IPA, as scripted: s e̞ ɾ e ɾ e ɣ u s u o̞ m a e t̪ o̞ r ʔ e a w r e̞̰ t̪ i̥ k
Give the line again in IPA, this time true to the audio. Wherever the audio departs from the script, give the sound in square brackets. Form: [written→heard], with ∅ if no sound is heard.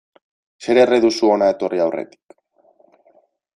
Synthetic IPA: s e̞ ɾ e [ɾ→r] e [ɣ→ð] u s u o̞ [m→n] a e t̪ o̞ r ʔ [e→i] a w r e̞̰ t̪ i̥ k